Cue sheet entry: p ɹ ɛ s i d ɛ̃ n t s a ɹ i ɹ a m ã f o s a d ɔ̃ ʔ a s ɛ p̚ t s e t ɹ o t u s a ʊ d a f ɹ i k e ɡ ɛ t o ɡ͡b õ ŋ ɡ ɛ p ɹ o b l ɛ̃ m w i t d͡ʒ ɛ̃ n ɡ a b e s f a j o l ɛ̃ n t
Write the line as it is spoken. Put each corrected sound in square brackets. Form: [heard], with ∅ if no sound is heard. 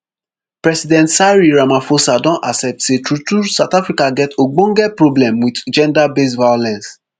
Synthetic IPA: p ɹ ɛ s i d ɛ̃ n t s a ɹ i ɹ a m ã f o s a d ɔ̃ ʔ a s ɛ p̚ t s e t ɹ [u] t u s a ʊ [t] a f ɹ i k [a] ɡ ɛ t o ɡ͡b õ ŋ ɡ ɛ p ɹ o b l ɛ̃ m w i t d͡ʒ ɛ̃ n [d] a b e s [v] a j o l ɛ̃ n [s]